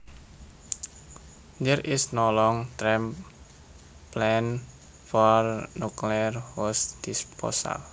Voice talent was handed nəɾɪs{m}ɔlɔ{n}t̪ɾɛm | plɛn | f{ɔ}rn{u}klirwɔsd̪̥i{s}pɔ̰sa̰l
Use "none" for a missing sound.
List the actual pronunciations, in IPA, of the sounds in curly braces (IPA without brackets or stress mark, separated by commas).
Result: n, ŋ, ɔ, u, s